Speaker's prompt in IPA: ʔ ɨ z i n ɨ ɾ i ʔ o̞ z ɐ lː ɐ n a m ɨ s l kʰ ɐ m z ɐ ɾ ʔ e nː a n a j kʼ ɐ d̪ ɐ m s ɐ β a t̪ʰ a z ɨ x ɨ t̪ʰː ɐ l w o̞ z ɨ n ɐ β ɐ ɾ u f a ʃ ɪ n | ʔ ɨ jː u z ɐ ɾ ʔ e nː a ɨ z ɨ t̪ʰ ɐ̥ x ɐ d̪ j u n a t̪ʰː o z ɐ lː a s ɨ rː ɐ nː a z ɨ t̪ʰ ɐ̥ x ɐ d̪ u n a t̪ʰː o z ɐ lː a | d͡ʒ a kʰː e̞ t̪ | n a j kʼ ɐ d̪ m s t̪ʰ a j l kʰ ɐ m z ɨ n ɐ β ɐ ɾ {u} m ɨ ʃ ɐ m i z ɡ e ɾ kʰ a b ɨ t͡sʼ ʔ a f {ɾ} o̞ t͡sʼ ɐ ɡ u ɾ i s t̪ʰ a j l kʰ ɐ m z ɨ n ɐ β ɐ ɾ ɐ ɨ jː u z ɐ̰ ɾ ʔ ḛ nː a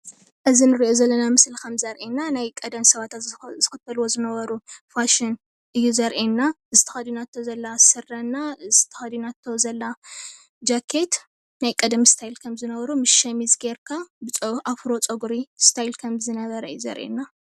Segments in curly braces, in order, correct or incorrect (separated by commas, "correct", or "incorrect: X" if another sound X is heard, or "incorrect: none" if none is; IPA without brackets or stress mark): correct, correct